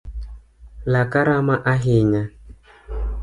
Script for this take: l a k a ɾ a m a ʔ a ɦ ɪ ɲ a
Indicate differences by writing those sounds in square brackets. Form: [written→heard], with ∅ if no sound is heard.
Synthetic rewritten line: l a k a ɾ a m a ʔ a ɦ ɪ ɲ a

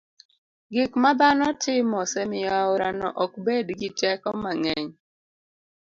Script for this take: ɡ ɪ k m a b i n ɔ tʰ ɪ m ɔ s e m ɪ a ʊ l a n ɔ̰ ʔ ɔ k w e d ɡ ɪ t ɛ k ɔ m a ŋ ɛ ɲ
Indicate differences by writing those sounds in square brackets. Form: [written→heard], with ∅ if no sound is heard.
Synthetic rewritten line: ɡ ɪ k m a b [i→a] n ɔ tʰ ɪ m ɔ s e m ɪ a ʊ [l→ɾ] a n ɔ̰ ʔ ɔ k [w→b] e d ɡ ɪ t ɛ k ɔ m a ŋ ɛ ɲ

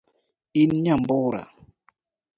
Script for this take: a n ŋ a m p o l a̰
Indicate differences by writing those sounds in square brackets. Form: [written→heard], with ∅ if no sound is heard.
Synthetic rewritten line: [a→i] n [ŋ→ɲ] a m [p→b] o [l→ɾ] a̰

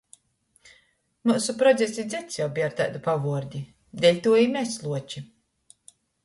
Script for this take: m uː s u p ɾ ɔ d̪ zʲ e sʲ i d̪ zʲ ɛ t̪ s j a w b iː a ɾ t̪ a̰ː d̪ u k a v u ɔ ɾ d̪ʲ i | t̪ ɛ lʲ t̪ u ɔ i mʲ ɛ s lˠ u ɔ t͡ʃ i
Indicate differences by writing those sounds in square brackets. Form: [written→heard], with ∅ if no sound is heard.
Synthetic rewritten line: m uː s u p ɾ ɔ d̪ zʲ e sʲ i d̪ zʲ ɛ t̪ s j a w b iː a ɾ t̪ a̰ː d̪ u [k→p] a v u ɔ ɾ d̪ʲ i | [t̪→d̪] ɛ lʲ t̪ u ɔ i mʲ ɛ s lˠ u ɔ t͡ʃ i

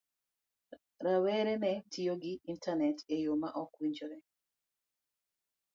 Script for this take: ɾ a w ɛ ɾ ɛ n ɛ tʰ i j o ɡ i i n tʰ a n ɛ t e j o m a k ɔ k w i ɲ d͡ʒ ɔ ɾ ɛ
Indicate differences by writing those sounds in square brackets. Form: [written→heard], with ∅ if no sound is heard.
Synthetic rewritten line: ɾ a w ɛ ɾ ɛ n ɛ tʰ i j o ɡ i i n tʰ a n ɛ t e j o m a [k→ʔ] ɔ k w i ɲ d͡ʒ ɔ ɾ ɛ

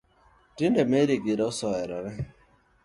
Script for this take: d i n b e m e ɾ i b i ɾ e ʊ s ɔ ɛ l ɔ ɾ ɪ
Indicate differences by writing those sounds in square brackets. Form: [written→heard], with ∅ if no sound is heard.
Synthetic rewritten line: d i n [b→d] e m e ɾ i [b→ɡ] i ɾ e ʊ s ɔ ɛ [l→ɾ] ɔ ɾ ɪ

